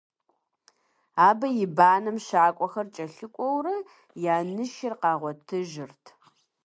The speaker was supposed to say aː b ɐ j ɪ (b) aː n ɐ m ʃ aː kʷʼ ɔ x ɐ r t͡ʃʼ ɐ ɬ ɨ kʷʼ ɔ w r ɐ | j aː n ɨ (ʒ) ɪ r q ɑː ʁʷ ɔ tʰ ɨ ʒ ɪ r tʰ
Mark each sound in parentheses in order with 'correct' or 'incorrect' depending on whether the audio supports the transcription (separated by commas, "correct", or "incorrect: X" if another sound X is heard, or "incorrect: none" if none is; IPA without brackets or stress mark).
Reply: correct, incorrect: ʃ